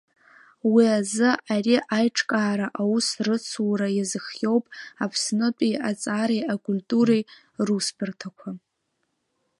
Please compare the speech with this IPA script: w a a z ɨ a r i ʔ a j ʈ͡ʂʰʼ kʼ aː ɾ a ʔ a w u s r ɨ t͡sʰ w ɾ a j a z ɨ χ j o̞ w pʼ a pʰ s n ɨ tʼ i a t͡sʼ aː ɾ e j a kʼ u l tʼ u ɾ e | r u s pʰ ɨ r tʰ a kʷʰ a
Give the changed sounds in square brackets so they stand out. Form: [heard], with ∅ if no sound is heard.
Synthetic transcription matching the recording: w [i] a z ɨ a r i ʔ a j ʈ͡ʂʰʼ kʼ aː ɾ a ʔ a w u s r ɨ t͡sʰ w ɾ a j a z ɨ χ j o̞ w pʼ a pʰ s n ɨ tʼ i a t͡sʼ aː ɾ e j a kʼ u l tʼ u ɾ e | r u s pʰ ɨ r tʰ a kʷʰ a